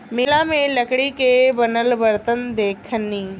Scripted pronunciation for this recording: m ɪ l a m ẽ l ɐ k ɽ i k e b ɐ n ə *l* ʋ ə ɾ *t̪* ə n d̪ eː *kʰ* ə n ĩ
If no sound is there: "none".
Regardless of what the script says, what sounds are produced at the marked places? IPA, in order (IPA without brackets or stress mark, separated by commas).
l, t̪, kʰ